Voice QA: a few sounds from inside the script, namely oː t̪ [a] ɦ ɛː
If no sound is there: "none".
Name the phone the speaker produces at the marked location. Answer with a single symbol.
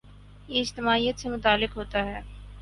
a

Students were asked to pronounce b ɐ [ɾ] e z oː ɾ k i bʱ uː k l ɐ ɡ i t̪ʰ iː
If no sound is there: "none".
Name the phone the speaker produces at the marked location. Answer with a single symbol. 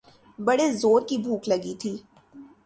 ɽ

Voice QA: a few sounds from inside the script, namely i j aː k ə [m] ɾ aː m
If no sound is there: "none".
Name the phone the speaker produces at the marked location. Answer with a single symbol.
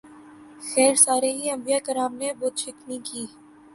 none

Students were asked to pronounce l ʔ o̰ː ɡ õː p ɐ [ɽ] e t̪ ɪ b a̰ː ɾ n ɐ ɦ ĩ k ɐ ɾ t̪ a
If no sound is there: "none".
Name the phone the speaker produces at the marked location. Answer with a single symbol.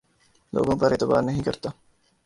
ɾ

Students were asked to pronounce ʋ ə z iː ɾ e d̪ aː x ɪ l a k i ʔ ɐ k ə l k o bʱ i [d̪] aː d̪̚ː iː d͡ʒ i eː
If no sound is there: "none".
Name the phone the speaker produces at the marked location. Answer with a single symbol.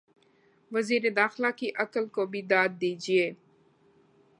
d̪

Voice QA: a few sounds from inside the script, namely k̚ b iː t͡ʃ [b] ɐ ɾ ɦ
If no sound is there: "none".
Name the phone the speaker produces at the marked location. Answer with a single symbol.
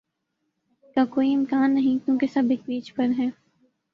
p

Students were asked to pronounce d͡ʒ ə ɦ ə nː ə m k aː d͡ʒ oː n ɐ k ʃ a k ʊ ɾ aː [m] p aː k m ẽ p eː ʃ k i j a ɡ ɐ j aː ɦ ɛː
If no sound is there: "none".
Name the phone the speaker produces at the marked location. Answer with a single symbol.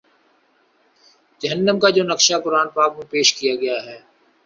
n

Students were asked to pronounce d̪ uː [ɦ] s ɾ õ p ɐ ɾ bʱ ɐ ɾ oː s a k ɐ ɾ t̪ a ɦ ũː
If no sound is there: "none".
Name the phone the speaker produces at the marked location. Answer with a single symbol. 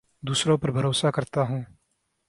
none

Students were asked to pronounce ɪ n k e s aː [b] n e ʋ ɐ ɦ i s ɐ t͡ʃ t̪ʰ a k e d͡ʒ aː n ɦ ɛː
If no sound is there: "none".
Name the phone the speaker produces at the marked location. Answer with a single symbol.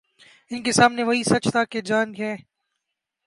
m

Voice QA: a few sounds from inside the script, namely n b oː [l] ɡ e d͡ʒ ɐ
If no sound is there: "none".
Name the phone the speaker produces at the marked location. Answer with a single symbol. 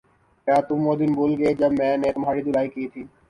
l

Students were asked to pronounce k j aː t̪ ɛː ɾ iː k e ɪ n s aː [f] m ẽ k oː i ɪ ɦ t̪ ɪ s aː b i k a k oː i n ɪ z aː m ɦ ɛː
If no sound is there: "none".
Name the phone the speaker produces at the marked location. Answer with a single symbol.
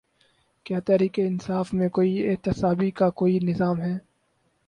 f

